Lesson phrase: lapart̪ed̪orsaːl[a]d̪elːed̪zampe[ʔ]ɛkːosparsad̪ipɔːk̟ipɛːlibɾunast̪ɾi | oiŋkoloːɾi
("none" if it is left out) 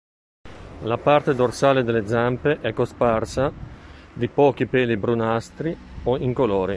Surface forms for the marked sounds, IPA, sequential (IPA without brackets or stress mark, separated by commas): e, ʔ